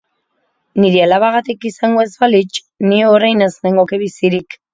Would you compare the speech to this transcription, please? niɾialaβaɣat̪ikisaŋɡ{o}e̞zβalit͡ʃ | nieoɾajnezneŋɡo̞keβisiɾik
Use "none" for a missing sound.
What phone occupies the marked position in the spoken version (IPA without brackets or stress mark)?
o